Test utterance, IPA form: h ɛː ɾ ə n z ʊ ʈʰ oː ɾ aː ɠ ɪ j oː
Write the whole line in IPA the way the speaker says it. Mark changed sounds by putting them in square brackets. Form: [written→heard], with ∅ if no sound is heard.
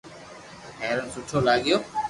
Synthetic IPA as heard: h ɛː ɾ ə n [z→s] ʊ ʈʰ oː [ɾ→l] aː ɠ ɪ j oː